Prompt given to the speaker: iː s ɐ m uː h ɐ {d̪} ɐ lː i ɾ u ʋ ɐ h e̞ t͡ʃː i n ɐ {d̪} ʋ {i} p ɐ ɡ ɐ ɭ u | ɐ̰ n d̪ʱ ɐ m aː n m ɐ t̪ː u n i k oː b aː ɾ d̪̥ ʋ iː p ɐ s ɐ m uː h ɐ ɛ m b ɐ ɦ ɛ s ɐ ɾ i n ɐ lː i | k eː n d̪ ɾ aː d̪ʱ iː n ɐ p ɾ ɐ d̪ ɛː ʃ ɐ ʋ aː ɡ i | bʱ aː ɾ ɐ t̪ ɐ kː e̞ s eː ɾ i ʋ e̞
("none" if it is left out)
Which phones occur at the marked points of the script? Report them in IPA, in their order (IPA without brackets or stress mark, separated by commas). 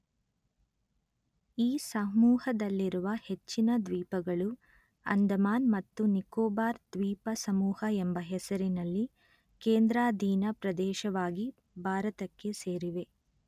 d̪, d̪, iː